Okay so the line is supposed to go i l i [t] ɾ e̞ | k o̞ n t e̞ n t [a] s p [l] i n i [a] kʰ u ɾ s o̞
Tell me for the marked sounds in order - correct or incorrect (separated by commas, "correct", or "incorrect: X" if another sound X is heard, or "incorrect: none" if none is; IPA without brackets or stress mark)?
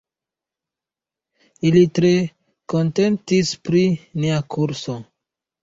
correct, incorrect: i, incorrect: ɾ, correct